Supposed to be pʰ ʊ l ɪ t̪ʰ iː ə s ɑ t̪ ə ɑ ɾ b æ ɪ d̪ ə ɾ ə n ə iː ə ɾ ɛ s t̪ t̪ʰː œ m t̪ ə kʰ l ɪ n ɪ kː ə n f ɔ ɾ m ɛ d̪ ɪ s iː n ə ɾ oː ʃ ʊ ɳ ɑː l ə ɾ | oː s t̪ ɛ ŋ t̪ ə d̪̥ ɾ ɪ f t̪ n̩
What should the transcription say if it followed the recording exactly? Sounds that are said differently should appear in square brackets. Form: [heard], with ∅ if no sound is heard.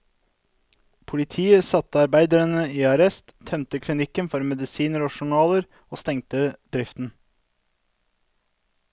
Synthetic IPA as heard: pʰ ʊ l ɪ t̪ʰ iː ə s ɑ t̪ ə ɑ ɾ b æ ɪ d̪ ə ɾ ə n ə iː [ɑ] ɾ ɛ s t̪ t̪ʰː œ m t̪ ə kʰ l ɪ n ɪ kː ə n f ɔ ɾ m ɛ d̪ ɪ s iː n ə ɾ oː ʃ ʊ ɳ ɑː l ə ɾ | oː s t̪ ɛ ŋ t̪ ə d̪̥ ɾ ɪ f t̪ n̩

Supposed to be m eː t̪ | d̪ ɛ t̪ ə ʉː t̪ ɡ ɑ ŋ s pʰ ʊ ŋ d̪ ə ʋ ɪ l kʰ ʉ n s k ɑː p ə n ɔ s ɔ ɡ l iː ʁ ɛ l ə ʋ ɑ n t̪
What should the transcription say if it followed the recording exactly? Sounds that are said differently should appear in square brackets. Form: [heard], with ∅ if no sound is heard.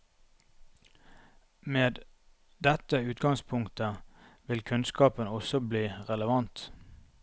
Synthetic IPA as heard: m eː [d̪] | d̪ ɛ t̪ ə ʉː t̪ ɡ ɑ ŋ s pʰ ʊ ŋ [t̪] ə ʋ ɪ l kʰ ʉ n s k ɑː p ə n ɔ s ɔ [b] l iː ʁ ɛ l ə ʋ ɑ n t̪

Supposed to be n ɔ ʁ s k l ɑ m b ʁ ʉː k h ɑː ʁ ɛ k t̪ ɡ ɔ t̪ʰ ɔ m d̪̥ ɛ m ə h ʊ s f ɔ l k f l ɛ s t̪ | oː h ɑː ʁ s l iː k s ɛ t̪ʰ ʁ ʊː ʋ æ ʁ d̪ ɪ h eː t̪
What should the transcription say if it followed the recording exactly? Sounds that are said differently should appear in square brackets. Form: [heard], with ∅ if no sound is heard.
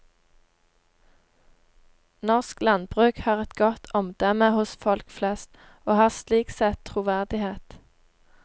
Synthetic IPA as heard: n ɔ ʁ s k l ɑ [n] b ʁ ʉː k h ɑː ʁ ɛ [∅] t̪ ɡ ɔ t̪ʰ ɔ m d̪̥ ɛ m ə h ʊ s f ɔ l k f l ɛ s t̪ | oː h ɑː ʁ s l iː k s ɛ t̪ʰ ʁ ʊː ʋ æ ʁ d̪ ɪ h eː t̪

